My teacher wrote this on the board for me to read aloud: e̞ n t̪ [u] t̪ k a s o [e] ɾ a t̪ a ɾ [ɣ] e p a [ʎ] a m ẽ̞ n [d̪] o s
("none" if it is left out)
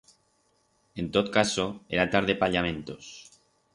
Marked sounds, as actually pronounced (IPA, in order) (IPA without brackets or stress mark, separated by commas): o, e, ð, ʎ, t̪